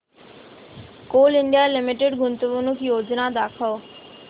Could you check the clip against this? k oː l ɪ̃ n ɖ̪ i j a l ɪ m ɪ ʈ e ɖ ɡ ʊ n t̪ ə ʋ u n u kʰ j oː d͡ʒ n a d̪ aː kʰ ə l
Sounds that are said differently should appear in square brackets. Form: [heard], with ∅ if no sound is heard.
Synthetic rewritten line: k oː l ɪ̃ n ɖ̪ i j a l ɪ m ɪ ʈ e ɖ ɡ ʊ n t̪ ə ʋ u n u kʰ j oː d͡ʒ n a d̪ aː kʰ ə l